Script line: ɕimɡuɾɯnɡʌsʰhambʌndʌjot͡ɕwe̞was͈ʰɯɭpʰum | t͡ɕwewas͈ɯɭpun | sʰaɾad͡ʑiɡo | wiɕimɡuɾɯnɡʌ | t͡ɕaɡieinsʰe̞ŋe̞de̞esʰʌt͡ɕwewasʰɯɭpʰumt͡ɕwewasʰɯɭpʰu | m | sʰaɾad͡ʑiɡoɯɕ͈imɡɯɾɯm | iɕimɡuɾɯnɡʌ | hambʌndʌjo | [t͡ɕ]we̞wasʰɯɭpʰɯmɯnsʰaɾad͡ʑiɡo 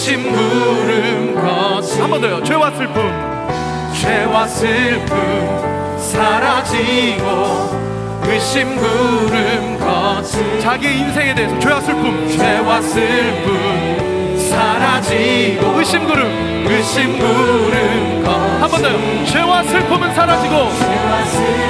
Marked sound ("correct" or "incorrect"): correct